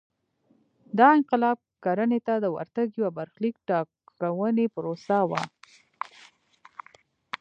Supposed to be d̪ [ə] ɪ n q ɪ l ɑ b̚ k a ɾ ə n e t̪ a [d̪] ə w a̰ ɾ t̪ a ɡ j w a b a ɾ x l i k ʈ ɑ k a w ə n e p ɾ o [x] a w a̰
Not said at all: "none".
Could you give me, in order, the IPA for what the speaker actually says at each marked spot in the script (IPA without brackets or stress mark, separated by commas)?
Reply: ɑ, d̪, s